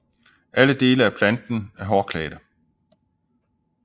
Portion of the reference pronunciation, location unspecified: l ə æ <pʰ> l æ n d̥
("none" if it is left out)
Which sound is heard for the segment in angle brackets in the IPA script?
pʰ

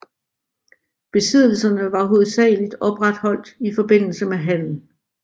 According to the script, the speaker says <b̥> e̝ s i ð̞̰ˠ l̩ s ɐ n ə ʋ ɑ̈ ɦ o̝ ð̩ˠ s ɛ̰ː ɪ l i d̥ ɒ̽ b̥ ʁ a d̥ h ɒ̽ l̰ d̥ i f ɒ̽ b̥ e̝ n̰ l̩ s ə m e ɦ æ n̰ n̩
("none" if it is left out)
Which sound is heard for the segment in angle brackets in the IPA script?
b̥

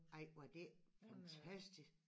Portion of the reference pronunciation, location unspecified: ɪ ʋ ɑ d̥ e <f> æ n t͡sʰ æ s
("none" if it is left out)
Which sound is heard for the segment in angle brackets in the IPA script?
f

